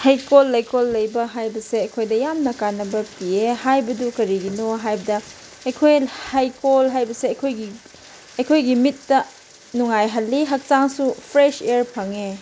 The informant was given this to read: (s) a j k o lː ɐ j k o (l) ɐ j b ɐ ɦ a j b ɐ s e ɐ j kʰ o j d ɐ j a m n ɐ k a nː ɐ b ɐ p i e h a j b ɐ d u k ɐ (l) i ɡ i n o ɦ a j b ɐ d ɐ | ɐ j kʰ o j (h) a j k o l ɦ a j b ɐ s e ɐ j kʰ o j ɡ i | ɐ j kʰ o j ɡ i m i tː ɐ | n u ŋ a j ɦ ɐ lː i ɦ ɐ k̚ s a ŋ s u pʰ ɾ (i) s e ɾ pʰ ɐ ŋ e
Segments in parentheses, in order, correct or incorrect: incorrect, incorrect, incorrect, correct, incorrect

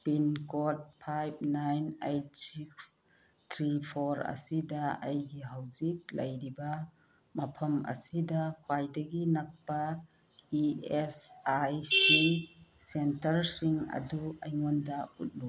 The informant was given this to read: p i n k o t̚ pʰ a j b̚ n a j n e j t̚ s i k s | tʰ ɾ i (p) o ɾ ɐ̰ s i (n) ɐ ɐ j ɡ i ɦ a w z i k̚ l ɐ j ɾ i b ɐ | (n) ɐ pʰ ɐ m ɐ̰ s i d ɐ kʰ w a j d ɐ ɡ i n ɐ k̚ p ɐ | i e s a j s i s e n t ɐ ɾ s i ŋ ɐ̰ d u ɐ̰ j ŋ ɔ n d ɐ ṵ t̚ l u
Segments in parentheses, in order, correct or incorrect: incorrect, incorrect, incorrect

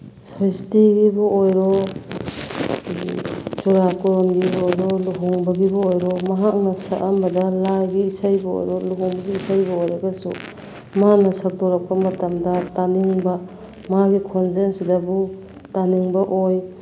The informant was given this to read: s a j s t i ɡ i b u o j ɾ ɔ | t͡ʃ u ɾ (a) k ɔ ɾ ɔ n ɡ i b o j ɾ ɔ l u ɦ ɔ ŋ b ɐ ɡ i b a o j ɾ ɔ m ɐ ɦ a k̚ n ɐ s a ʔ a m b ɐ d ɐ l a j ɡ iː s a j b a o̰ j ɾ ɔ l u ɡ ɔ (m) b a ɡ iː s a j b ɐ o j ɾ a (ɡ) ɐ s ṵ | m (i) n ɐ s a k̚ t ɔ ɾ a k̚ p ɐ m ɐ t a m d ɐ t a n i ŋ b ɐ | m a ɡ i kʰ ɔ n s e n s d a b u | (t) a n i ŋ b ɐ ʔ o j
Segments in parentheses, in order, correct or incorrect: correct, incorrect, correct, incorrect, correct

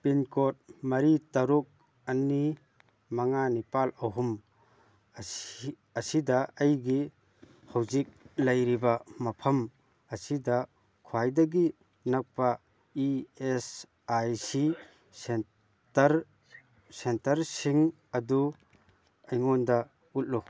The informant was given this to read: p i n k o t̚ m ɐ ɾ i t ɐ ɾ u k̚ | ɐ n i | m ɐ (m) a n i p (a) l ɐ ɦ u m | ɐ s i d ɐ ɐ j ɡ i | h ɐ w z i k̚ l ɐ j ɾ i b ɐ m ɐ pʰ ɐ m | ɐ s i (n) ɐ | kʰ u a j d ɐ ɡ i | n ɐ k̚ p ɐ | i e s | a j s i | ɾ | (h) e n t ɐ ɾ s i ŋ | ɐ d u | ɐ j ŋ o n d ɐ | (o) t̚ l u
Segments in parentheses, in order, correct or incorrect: incorrect, correct, incorrect, incorrect, incorrect

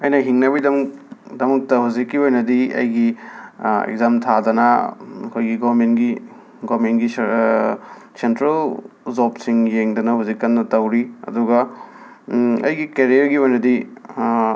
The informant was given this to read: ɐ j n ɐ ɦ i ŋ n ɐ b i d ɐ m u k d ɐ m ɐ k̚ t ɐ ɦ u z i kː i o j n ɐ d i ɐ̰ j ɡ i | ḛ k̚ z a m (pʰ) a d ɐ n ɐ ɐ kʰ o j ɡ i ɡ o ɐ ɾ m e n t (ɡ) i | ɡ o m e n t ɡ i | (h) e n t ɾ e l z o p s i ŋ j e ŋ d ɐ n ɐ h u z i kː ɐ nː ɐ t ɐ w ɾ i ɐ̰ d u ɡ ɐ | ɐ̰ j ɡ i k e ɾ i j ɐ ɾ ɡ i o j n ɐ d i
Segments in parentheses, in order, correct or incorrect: incorrect, correct, incorrect

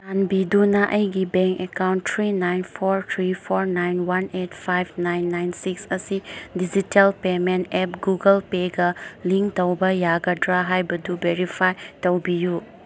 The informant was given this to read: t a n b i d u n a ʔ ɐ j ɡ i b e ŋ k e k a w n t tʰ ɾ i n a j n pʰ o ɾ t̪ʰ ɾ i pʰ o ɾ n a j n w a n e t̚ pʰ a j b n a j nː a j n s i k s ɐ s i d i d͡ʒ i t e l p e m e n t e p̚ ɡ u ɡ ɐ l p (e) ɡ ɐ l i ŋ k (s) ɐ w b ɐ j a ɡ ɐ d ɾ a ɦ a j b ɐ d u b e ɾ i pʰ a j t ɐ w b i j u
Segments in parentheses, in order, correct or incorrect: correct, incorrect

